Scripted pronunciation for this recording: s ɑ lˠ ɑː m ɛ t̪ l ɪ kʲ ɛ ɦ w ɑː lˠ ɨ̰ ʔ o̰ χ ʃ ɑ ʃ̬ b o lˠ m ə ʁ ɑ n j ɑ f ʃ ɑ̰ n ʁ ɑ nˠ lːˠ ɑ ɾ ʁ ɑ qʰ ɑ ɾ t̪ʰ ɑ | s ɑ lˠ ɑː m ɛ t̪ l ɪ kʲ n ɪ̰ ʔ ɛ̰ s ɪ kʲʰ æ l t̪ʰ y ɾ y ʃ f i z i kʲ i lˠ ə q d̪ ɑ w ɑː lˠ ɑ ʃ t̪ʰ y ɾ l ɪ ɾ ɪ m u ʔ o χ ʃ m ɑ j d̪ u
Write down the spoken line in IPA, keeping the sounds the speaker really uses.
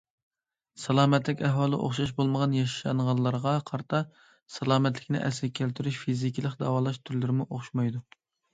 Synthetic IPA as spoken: s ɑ lˠ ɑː m ɛ t̪ l ɪ kʲ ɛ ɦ w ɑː lˠ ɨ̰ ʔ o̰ χ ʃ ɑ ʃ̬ b o lˠ m ə ʁ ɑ n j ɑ ʃ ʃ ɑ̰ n ʁ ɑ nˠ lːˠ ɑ ɾ ʁ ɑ qʰ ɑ ɾ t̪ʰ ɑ | s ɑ lˠ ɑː m ɛ t̪ l ɪ kʲ n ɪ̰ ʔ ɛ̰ s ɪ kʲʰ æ l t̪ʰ y ɾ y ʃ f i z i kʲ i lˠ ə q d̪ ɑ w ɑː lˠ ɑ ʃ t̪ʰ y ɾ l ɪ ɾ ɪ m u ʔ o χ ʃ m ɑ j d̪ u